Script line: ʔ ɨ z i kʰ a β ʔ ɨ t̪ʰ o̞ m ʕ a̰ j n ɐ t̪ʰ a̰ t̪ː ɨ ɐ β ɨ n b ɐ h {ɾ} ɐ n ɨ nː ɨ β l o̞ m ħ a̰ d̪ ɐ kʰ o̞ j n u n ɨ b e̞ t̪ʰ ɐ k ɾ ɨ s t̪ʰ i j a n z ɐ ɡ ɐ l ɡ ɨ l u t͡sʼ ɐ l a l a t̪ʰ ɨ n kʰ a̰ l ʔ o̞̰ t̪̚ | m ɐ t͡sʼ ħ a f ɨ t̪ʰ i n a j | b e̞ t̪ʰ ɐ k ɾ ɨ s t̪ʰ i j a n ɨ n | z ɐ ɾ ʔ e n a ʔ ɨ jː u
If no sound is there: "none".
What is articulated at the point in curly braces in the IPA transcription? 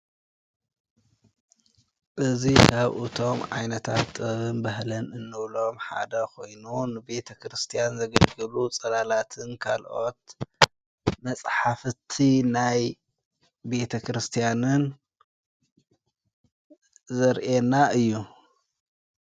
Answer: l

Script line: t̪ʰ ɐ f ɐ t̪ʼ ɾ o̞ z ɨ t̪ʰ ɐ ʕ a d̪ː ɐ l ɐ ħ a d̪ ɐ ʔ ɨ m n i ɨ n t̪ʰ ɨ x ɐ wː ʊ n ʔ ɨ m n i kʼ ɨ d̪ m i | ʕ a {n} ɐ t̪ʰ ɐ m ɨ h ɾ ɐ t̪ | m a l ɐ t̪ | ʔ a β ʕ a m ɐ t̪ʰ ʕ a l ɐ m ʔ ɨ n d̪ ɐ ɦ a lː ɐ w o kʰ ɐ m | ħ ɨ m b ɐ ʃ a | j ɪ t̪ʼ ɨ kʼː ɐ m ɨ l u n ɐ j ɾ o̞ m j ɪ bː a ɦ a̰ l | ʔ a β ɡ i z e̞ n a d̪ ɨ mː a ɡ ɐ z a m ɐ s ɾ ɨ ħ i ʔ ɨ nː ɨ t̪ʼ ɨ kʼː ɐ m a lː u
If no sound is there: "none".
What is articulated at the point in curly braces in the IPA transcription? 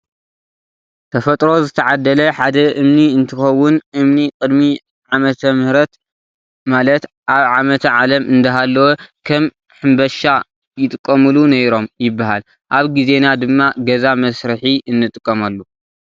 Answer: m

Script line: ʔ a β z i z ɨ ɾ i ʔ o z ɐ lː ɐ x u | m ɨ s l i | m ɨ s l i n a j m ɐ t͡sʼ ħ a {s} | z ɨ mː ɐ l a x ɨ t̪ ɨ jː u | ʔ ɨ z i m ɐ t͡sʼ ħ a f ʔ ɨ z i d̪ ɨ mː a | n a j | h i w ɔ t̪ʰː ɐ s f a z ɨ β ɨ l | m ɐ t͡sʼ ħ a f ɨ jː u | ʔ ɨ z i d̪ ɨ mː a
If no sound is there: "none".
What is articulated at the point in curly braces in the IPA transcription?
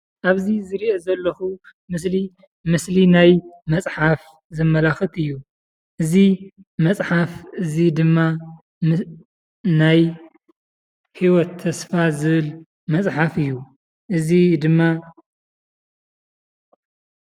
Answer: f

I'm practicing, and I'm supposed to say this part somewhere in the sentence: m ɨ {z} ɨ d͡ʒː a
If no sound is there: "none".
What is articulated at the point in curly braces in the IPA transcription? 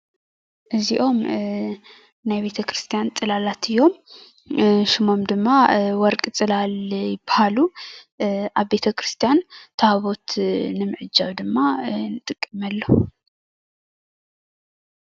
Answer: ʕ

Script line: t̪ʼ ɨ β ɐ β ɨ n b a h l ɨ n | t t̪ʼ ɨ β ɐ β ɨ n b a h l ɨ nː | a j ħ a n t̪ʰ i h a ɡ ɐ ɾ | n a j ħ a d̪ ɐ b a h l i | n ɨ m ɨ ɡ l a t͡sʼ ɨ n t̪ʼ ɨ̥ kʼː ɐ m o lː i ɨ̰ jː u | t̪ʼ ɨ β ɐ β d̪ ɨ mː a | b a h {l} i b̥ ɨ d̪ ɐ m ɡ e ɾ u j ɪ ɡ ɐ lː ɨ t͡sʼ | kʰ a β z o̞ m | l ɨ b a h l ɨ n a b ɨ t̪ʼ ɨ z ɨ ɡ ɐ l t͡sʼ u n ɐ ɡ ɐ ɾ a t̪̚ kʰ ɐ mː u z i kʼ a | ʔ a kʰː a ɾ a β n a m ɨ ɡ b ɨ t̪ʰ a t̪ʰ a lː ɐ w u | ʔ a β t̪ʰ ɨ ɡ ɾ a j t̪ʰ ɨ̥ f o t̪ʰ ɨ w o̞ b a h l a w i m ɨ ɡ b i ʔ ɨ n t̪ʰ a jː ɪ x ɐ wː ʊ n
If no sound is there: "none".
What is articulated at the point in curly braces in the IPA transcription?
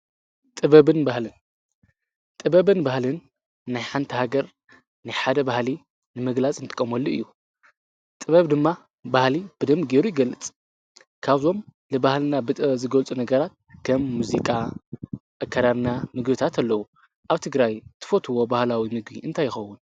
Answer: l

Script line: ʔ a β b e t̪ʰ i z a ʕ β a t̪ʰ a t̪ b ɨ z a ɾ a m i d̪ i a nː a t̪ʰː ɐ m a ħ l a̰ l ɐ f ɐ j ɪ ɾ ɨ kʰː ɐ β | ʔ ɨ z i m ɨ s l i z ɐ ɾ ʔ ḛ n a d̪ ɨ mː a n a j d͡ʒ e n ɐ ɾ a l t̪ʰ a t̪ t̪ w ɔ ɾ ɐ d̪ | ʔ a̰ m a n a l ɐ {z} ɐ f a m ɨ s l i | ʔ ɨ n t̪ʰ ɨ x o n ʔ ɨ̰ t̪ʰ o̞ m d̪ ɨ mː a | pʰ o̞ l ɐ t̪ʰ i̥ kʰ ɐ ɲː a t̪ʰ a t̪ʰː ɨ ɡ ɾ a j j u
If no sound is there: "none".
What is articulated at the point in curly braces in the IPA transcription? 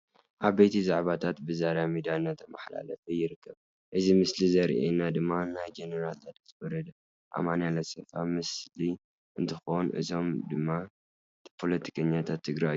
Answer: s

